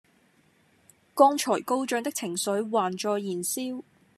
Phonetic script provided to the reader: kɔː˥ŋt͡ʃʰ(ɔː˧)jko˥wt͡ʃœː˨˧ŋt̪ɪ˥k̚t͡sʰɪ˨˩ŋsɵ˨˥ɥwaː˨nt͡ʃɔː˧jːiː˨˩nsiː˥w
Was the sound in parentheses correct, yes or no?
no